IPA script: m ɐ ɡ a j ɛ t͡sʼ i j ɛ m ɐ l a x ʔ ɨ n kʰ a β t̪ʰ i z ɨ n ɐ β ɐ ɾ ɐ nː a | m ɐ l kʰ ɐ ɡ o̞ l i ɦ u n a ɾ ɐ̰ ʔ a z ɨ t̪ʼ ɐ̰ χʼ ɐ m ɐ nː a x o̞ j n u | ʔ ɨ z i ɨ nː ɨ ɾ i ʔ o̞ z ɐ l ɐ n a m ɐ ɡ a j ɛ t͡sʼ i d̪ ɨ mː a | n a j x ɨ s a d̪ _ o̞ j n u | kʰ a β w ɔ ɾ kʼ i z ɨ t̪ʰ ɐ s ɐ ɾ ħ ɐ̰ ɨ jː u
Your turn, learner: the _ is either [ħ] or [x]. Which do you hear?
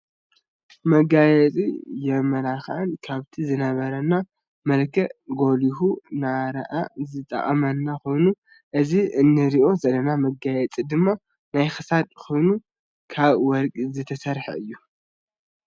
x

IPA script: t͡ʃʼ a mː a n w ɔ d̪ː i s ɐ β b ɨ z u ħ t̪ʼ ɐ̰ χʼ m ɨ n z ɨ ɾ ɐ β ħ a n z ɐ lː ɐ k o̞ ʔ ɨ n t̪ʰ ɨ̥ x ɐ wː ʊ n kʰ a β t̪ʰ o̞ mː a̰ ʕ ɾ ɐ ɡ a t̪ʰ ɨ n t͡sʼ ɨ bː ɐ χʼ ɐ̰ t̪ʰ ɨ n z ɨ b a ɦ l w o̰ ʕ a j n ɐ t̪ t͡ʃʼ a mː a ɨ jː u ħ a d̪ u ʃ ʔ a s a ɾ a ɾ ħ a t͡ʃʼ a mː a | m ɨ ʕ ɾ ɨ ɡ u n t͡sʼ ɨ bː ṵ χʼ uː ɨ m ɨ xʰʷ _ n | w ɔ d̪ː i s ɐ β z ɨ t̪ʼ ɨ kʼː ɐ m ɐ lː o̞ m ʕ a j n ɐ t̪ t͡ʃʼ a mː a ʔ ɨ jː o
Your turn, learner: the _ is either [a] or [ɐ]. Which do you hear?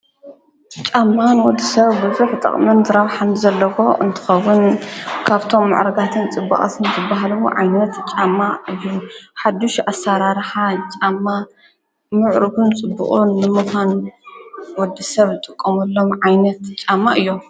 a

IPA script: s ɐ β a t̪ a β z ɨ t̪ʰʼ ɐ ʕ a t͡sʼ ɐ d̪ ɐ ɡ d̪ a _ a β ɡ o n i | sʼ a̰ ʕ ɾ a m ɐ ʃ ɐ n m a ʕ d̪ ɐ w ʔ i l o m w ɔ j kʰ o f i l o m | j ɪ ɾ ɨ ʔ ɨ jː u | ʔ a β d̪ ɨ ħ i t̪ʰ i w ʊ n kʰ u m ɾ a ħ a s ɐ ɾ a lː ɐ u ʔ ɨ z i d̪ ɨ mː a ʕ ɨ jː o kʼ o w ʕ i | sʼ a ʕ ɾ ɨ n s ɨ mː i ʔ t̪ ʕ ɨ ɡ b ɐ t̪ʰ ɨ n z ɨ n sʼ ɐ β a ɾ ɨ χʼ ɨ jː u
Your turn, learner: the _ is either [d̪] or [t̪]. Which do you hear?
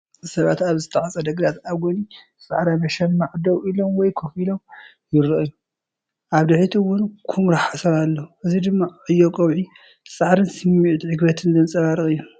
t̪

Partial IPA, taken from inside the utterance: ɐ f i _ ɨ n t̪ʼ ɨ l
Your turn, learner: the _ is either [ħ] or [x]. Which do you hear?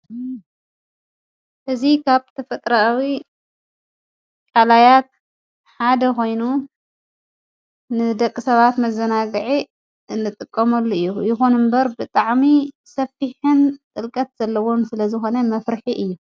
ħ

